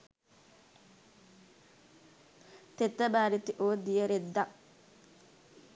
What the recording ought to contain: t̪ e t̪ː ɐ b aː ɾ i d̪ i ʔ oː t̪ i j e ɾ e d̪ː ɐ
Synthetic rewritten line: t̪ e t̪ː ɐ b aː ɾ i t̪ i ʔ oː d̪ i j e ɾ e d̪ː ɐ